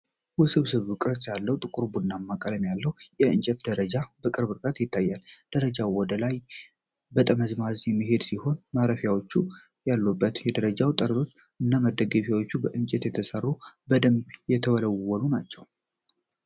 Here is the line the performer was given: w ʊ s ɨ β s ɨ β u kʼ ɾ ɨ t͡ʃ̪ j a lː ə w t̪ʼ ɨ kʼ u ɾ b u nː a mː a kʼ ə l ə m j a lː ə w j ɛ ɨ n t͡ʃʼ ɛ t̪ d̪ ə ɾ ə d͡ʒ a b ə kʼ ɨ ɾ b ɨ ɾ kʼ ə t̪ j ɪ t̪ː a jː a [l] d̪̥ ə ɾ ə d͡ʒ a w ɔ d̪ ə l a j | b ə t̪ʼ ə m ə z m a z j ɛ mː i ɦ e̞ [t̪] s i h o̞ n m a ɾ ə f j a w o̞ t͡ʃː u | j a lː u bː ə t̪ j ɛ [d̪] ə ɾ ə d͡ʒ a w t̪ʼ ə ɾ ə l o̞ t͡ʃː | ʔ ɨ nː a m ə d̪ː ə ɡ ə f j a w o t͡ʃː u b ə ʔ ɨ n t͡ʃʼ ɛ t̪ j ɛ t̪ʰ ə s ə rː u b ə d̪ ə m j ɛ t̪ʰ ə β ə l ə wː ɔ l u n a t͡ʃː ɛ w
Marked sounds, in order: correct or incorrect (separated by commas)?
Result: correct, incorrect, correct